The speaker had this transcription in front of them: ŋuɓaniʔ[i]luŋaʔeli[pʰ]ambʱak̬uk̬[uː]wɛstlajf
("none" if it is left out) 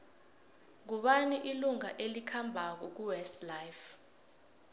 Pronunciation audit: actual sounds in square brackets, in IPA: i, kʰ, u

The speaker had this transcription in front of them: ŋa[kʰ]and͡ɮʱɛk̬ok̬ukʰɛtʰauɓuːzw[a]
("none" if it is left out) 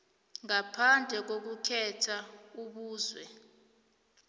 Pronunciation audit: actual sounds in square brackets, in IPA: pʰ, ɛ

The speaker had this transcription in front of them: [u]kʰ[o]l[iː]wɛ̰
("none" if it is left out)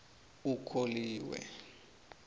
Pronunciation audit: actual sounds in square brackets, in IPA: u, o, iː

